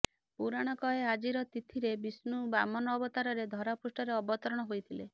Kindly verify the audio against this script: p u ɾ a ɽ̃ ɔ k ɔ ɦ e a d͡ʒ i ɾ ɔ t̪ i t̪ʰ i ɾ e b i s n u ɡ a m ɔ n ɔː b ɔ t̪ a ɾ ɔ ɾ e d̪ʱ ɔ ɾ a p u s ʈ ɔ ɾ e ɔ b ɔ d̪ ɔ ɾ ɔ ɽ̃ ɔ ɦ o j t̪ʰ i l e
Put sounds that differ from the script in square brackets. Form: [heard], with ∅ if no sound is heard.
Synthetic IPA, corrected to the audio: p u ɾ a ɽ̃ ɔ k ɔ ɦ e a d͡ʒ i ɾ ɔ t̪ i t̪ʰ i ɾ e b i s n u [b] a m ɔ n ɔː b ɔ t̪ a ɾ ɔ ɾ e d̪ʱ ɔ ɾ a p u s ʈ ɔ ɾ e ɔ b ɔ [t̪] ɔ ɾ ɔ ɽ̃ ɔ ɦ o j t̪ʰ i l e